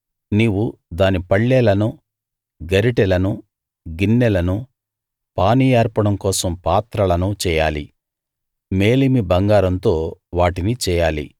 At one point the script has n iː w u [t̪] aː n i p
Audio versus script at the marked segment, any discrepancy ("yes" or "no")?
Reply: yes